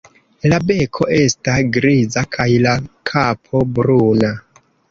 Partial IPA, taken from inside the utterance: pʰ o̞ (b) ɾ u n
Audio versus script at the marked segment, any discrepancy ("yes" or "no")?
no